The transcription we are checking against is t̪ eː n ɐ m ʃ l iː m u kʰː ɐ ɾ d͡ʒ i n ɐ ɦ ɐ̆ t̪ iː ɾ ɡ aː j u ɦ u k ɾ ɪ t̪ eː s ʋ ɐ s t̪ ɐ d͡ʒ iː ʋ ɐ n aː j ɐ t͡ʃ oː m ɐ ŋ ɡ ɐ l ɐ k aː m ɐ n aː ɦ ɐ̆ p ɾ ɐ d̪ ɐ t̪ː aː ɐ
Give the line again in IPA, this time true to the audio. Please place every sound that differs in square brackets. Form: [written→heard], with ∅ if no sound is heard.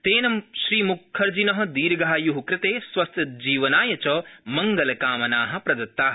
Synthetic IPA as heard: t̪ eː n ɐ m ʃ [l→ɾ] iː m u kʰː ɐ ɾ d͡ʒ i n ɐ ɦ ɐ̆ [t̪→d̪] iː ɾ ɡ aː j u ɦ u k ɾ ɪ t̪ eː s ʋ ɐ s t̪ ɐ d͡ʒ iː ʋ ɐ n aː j ɐ t͡ʃ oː m ɐ ŋ ɡ ɐ l ɐ k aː m ɐ n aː ɦ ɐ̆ p ɾ ɐ d̪ ɐ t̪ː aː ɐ